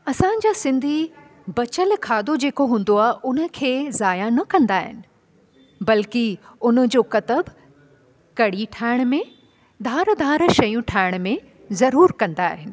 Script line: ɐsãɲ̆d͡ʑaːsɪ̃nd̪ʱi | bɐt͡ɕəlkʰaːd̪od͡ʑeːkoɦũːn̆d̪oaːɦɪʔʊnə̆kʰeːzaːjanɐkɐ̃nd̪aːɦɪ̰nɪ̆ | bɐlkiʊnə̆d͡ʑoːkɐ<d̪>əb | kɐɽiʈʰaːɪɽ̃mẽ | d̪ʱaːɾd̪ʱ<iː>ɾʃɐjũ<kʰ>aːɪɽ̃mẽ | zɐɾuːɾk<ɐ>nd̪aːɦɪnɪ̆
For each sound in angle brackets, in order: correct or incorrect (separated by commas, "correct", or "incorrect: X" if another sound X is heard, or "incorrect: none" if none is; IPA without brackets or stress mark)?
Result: incorrect: t̪, incorrect: aː, incorrect: ʈʰ, incorrect: ɐ̃